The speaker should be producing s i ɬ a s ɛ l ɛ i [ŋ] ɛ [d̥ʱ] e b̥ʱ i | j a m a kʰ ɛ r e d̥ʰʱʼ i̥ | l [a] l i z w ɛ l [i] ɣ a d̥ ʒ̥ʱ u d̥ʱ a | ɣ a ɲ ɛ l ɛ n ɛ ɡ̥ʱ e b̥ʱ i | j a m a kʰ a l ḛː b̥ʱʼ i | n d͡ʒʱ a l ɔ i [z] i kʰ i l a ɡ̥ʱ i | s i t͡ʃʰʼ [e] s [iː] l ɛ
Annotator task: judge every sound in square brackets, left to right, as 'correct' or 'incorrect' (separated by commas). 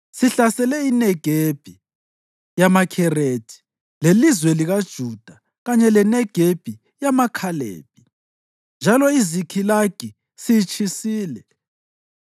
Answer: incorrect, incorrect, incorrect, correct, correct, incorrect, correct